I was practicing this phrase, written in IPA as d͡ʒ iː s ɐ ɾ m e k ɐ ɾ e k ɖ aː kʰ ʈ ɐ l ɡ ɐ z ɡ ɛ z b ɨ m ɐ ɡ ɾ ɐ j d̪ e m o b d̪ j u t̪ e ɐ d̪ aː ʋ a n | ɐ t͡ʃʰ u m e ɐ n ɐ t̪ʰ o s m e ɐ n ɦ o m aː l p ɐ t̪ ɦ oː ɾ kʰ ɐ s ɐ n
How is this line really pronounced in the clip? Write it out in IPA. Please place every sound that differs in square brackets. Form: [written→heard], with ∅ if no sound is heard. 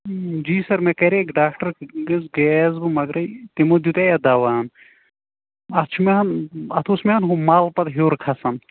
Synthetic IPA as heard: d͡ʒ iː s ɐ ɾ m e k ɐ ɾ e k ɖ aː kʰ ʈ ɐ [l→ɾ] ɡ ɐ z ɡ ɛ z b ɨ m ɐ ɡ ɾ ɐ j [d̪→t̪] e m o [b→∅] d̪ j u t̪ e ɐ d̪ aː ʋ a n | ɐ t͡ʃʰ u m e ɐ n ɐ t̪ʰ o s m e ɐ n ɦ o m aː l p ɐ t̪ ɦ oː ɾ kʰ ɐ s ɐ n